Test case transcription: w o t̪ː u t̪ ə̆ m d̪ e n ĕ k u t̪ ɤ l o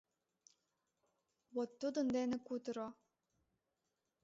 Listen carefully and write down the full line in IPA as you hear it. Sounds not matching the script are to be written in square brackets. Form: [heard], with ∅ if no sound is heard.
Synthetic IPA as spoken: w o t̪ː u [d̪] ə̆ [n] d̪ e n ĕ k u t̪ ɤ [ɾ] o